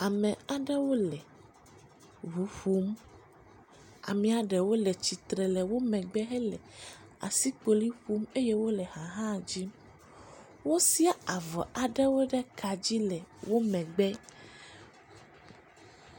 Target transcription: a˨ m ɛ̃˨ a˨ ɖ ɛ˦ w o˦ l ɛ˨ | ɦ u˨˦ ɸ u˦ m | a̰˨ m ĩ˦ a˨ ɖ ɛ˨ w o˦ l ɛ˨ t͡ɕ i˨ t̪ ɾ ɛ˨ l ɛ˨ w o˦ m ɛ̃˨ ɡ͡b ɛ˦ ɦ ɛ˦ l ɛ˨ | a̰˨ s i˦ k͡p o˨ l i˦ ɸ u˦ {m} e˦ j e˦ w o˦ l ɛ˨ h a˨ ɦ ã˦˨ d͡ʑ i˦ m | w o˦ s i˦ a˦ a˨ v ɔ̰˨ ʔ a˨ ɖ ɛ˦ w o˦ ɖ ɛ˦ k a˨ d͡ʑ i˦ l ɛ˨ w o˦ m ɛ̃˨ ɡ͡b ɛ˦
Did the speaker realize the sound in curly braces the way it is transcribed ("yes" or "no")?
yes